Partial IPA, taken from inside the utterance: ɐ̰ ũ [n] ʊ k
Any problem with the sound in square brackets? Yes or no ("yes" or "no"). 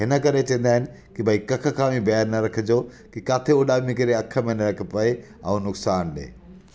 no